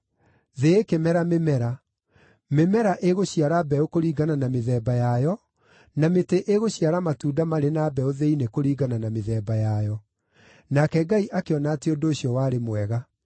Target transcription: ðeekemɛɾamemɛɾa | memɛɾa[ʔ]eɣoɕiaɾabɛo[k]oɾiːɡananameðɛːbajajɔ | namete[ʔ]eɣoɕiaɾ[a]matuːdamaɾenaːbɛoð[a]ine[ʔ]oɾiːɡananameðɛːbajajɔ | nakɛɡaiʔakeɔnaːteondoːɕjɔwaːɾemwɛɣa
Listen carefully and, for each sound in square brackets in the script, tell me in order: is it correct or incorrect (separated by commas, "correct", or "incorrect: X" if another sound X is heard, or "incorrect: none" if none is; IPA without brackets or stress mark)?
correct, correct, correct, correct, incorrect: e, incorrect: k